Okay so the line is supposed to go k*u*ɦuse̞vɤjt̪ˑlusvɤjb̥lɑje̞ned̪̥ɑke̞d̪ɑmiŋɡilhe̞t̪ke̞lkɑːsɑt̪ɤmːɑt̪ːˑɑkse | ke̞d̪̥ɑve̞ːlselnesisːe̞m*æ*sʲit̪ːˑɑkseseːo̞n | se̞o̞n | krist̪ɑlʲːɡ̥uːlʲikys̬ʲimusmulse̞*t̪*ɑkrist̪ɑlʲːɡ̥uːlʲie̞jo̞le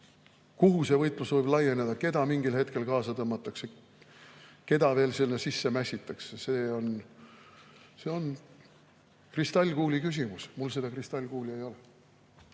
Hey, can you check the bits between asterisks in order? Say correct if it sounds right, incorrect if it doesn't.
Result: correct, correct, incorrect

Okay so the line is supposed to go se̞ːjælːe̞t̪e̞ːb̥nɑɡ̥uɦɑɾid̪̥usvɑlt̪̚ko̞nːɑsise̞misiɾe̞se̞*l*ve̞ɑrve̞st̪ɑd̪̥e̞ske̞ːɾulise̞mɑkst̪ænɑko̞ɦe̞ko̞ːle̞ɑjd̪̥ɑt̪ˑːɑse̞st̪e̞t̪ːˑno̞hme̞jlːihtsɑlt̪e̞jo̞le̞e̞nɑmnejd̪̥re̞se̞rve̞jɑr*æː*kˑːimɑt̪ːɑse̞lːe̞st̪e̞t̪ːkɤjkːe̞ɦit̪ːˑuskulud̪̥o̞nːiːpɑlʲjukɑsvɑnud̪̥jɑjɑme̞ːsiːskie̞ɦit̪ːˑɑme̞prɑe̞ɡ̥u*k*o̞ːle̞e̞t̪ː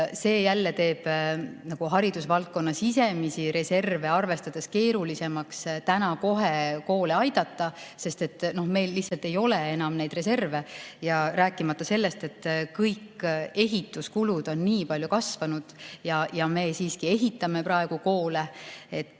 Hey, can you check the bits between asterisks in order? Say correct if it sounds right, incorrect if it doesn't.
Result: incorrect, correct, correct

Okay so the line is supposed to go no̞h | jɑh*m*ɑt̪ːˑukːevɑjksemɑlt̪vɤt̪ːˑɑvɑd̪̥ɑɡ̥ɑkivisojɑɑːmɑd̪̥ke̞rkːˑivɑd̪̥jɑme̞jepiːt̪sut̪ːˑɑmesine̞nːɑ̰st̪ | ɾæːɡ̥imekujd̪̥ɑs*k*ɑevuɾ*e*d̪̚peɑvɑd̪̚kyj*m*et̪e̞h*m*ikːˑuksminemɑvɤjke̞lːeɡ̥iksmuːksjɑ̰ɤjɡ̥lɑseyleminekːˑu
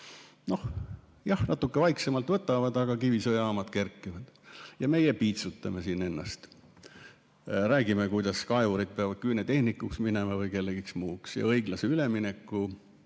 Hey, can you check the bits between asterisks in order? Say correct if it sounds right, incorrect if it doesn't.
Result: incorrect, correct, incorrect, incorrect, incorrect

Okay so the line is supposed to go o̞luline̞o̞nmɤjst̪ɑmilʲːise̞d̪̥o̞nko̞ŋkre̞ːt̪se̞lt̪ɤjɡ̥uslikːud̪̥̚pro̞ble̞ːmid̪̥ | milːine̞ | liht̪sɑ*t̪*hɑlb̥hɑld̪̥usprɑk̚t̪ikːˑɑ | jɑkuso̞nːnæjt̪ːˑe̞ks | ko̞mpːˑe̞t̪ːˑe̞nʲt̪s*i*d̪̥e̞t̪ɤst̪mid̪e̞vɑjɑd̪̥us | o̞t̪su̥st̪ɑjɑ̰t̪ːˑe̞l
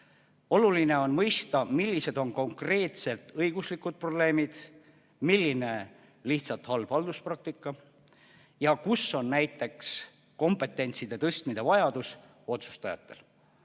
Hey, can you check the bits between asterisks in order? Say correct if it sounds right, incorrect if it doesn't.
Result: correct, correct

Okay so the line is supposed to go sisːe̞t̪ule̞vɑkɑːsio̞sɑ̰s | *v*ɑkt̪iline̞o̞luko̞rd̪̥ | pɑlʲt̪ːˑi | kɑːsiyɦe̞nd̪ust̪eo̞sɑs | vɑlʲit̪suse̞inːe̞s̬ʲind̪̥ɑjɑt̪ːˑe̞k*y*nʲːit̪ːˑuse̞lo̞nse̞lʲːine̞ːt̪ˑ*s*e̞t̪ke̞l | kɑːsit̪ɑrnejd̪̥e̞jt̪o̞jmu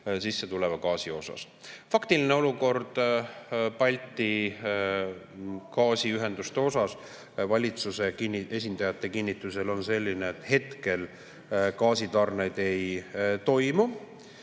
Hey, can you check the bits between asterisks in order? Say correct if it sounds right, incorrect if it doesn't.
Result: incorrect, incorrect, incorrect

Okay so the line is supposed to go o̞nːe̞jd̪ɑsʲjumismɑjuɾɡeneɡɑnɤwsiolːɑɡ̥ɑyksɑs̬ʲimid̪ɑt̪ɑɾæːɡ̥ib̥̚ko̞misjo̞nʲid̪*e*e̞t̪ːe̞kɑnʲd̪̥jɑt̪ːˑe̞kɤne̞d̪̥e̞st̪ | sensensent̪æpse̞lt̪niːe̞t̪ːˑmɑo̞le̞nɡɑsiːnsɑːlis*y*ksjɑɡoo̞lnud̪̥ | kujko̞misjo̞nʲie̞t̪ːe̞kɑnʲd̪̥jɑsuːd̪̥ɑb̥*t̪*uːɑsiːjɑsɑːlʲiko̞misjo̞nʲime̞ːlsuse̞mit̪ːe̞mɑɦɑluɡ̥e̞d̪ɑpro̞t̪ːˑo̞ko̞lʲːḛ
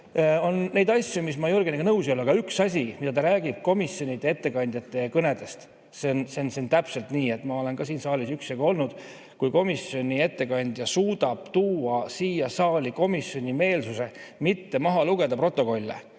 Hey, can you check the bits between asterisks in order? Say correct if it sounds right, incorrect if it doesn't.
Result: correct, correct, correct

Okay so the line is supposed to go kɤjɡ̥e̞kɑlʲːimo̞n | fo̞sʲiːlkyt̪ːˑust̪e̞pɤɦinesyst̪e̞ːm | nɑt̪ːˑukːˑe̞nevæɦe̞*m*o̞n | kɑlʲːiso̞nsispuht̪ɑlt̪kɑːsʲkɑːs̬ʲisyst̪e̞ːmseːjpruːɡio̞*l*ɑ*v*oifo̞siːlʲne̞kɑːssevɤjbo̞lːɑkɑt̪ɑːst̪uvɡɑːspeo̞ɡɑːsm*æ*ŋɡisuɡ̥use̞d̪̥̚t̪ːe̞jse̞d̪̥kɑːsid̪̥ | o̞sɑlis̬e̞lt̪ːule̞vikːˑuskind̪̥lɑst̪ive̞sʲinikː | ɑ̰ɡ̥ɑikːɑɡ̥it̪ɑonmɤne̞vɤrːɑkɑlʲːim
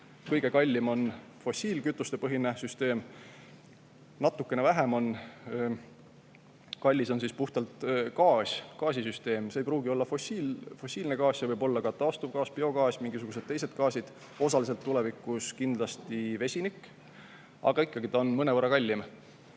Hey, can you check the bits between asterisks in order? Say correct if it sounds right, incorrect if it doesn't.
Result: correct, incorrect, incorrect, incorrect

